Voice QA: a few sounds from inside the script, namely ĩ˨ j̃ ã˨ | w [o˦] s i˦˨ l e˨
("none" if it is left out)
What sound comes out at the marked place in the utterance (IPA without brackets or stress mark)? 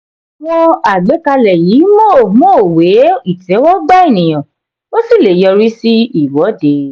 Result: o˦